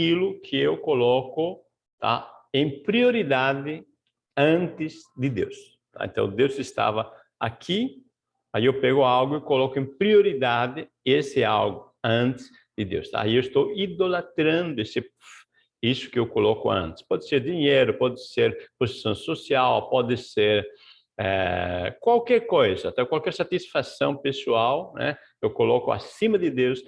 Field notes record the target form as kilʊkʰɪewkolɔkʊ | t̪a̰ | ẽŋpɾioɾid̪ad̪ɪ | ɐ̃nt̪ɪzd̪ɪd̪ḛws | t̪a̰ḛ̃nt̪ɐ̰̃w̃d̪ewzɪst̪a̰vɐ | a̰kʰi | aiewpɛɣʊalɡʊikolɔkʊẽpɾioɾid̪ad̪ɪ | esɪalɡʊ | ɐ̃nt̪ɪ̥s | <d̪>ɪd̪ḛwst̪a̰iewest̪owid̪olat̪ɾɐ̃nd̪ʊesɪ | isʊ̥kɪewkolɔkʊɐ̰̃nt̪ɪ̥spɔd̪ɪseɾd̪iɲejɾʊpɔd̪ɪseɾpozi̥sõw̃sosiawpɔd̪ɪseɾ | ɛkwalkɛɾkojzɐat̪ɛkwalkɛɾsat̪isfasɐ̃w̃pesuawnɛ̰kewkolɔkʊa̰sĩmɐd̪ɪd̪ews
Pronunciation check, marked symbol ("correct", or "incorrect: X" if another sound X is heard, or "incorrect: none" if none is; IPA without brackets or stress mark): correct